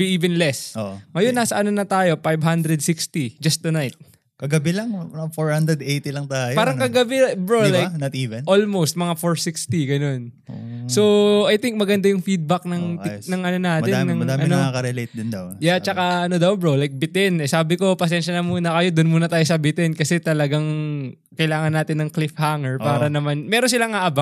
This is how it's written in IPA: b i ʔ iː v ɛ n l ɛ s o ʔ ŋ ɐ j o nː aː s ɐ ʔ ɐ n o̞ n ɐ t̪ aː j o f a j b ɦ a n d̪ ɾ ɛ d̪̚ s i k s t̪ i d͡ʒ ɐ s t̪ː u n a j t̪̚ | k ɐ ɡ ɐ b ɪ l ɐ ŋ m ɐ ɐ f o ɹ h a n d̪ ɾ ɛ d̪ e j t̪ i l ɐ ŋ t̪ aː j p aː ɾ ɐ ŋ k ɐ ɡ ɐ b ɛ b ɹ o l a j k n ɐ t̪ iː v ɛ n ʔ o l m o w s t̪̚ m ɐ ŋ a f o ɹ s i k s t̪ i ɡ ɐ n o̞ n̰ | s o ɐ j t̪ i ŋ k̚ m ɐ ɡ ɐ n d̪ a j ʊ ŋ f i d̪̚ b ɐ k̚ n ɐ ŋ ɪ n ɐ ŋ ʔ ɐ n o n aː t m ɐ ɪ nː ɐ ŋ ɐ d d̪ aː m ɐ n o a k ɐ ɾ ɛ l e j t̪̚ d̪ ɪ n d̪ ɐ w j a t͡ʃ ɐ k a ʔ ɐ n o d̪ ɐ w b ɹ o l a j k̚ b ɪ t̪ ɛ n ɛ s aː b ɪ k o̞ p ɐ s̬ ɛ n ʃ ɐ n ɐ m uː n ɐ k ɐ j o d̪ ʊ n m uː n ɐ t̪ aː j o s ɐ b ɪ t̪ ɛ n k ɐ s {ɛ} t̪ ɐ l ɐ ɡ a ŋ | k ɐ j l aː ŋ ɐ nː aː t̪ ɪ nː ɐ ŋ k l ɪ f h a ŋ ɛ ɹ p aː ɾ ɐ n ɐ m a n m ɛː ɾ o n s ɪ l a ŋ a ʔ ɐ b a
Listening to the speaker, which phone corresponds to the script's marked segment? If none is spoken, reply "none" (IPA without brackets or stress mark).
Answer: ɛ